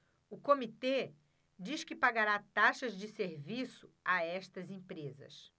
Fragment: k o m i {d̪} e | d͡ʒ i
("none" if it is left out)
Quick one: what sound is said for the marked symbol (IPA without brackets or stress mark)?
t̪